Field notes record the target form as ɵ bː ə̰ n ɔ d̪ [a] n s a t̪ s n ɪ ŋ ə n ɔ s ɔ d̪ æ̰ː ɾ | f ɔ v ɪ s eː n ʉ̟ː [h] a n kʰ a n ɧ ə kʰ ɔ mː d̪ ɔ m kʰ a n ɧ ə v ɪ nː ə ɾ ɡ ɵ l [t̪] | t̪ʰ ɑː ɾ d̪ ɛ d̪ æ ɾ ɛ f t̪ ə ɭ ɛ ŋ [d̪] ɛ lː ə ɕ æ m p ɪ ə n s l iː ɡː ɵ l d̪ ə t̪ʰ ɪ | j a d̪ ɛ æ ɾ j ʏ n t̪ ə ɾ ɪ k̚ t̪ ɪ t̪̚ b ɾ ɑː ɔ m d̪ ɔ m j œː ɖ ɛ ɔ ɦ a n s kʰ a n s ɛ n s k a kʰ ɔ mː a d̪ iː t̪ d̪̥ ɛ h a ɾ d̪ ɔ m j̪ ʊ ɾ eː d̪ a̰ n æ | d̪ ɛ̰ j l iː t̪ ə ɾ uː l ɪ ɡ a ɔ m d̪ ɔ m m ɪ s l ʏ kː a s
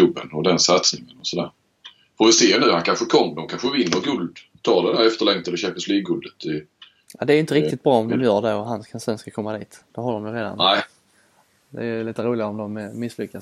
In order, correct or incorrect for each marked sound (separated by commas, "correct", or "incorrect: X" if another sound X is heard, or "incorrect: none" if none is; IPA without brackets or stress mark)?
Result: incorrect: ɛ, correct, incorrect: d̪, incorrect: t̪